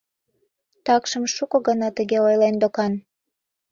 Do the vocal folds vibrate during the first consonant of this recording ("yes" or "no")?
no